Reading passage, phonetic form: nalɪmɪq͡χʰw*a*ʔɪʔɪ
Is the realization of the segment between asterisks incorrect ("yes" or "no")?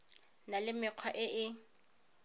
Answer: no